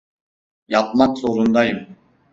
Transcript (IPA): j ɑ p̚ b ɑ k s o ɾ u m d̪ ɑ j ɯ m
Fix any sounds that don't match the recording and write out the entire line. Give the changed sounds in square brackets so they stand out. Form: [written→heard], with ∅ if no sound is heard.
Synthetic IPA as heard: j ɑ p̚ [b→m] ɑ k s o ɾ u [m→n] d̪ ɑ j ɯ m

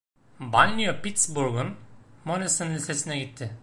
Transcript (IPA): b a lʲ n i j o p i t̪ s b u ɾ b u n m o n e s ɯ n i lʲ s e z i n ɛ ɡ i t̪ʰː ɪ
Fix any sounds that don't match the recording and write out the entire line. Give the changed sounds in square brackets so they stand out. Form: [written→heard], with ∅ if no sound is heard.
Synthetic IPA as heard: b a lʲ n i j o p i t̪ s b u ɾ [b→ɡ] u n m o n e s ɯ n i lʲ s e [z→s] i n ɛ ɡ i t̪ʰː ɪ

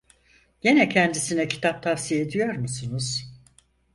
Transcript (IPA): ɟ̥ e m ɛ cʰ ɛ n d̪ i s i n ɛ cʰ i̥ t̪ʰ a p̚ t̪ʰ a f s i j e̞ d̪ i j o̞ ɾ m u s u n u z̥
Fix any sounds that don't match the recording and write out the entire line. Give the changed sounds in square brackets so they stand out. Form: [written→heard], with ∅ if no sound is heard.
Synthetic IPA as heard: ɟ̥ e [m→n] ɛ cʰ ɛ n d̪ i s i n ɛ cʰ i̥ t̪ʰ a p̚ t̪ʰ a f s i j e̞ d̪ i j o̞ ɾ m u s u n u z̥

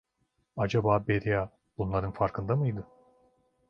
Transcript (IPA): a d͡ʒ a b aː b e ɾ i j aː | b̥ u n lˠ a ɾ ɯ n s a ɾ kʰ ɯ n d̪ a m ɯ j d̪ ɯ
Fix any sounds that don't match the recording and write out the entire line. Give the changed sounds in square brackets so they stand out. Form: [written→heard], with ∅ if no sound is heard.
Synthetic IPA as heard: a d͡ʒ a b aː b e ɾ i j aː | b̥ u n lˠ a ɾ ɯ n [s→f] a ɾ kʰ ɯ n d̪ a m ɯ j d̪ ɯ

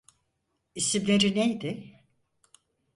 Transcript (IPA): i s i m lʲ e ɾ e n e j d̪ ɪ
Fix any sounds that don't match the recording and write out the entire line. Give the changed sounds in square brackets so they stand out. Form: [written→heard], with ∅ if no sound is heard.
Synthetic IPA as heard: i s i m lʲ e ɾ [e→i] n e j d̪ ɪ

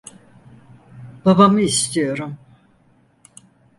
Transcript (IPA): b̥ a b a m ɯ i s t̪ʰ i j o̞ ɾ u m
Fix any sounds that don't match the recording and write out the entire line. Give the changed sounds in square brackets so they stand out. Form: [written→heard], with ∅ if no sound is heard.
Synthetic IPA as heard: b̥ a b a m ɯ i s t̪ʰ i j o̞ ɾ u m

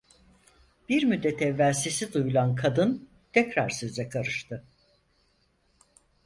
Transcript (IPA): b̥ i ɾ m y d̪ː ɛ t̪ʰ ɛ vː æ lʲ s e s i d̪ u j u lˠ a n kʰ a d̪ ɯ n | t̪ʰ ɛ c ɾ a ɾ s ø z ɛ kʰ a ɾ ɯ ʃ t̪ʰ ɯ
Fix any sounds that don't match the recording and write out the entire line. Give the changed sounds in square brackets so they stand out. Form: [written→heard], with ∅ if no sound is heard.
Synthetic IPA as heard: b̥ i ɾ m y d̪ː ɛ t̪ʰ ɛ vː æ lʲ s e s i d̪ u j u lˠ a n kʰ a d̪ ɯ n | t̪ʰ ɛ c ɾ a ɾ s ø z ɛ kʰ a ɾ ɯ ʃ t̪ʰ ɯ

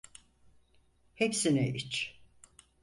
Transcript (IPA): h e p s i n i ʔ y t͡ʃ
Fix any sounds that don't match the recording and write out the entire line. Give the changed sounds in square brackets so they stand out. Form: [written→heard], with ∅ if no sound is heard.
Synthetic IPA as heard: h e p s i n [i→ɛ] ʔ [y→i] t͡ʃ

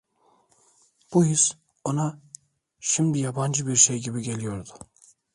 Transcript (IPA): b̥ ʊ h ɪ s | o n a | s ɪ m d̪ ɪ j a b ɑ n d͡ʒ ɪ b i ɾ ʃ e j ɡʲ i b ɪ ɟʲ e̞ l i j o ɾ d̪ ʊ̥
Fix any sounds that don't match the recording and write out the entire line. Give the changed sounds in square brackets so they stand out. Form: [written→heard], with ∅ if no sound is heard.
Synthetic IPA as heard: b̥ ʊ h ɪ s | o n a | [s→ʃ] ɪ m d̪ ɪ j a b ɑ n d͡ʒ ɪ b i ɾ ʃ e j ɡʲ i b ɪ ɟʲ e̞ l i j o ɾ d̪ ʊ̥

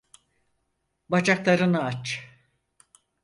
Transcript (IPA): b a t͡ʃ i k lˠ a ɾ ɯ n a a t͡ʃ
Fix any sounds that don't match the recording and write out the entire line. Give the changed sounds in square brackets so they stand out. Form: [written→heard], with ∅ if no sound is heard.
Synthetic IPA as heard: b a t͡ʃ [i→a] k lˠ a ɾ ɯ n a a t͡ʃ

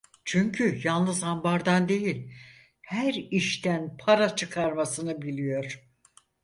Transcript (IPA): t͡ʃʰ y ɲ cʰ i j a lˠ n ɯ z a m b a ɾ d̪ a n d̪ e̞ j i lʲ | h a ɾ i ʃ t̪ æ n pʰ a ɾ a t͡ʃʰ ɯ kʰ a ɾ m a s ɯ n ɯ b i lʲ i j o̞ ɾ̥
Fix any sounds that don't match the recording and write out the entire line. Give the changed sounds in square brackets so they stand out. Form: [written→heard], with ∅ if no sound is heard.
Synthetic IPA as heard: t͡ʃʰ y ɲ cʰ [i→y] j a lˠ n ɯ z a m b a ɾ d̪ a n d̪ e̞ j i lʲ | h [a→æ] ɾ i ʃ t̪ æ n pʰ a ɾ a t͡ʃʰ ɯ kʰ a ɾ m a s ɯ n ɯ b i lʲ i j o̞ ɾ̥

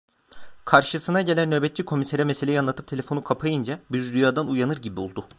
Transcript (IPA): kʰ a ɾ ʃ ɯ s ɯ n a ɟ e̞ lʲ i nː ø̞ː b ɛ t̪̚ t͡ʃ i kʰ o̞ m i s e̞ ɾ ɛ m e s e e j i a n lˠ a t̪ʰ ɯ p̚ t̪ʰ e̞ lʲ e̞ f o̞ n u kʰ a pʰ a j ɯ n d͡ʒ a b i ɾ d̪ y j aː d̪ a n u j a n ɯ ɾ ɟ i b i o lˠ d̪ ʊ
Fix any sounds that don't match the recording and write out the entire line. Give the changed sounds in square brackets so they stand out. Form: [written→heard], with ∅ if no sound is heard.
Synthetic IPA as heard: kʰ a ɾ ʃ ɯ s ɯ n a ɟ e̞ lʲ [i→æ] nː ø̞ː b ɛ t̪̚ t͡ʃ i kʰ o̞ m i s e̞ ɾ ɛ m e s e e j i a n lˠ a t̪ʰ ɯ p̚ t̪ʰ e̞ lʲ e̞ f o̞ n u kʰ a pʰ a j ɯ n d͡ʒ a b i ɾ d̪ y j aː d̪ a n u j a n ɯ ɾ ɟ i b i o lˠ d̪ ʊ

